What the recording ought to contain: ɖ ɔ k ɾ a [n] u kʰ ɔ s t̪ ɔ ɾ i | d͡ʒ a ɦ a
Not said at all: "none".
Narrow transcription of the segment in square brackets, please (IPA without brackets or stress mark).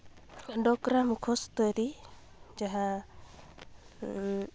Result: m